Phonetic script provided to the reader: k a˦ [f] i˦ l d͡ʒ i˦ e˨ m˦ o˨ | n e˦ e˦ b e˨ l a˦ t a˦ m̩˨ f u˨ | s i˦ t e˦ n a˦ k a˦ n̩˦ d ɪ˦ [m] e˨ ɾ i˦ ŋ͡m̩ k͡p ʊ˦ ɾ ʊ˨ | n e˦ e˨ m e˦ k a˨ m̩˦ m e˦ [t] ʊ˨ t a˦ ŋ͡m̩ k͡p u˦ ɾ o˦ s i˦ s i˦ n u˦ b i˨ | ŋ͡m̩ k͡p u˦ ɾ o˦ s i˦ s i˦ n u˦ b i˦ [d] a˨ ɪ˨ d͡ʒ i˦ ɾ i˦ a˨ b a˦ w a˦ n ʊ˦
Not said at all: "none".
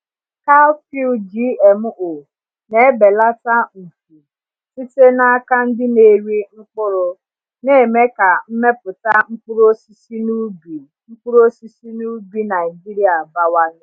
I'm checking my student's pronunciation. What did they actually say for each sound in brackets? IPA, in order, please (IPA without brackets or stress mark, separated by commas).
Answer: f, n, p, n